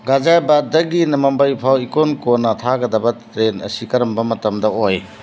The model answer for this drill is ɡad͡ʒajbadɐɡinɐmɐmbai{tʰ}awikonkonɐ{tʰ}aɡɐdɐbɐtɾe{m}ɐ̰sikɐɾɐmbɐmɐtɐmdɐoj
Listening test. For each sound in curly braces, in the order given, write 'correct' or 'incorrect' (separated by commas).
incorrect, correct, incorrect